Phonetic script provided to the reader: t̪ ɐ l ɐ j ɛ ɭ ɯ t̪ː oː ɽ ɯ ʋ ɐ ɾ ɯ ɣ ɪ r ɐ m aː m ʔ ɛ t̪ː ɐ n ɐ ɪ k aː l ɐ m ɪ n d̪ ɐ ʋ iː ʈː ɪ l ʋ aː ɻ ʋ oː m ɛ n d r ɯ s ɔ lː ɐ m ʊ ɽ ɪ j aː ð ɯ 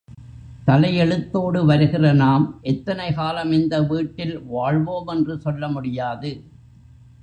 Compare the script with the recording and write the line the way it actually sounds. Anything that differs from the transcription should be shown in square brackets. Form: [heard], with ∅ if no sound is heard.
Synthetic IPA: t̪ ɐ l ɐ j ɛ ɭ ɯ t̪ː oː ɽ ɯ ʋ ɐ ɾ ɯ ɣ ɪ r ɐ [n] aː m ʔ ɛ t̪ː ɐ n ɐ ɪ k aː l ɐ m ɪ n d̪ ɐ ʋ iː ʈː ɪ l ʋ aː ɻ ʋ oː m ɛ n d r ɯ s ɔ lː ɐ m ʊ ɽ ɪ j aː ð ɯ